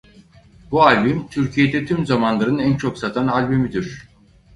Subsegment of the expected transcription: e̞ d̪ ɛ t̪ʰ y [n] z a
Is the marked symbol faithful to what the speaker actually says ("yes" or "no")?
no